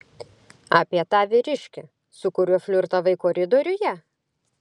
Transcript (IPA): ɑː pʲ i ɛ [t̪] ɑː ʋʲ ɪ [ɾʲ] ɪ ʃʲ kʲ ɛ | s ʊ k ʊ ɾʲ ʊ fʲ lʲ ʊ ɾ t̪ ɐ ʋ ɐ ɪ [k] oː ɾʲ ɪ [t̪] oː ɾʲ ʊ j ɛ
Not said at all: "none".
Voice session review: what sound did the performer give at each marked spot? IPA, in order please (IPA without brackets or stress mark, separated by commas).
t̪, ɾʲ, k, d̪